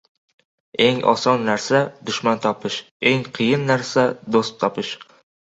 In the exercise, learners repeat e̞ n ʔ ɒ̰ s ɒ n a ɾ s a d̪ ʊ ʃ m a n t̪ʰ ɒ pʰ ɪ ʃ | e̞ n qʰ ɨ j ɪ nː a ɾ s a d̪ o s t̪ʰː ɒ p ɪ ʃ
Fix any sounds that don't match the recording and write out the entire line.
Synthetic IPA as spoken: e̞ ŋ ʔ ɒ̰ s ɒ nː a ɾ s a d̪ ʊ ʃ m a n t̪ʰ ɒ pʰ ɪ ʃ | e̞ ŋ qʰ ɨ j ɪ nː a ɾ s a d̪ o s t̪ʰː ɒ p ɪ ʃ